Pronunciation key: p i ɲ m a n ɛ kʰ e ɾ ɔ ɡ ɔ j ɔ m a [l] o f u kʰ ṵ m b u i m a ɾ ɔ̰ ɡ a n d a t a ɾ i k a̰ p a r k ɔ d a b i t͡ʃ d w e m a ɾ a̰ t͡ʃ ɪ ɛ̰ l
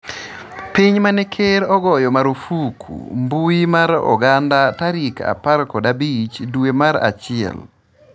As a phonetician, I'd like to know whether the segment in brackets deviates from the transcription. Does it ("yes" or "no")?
yes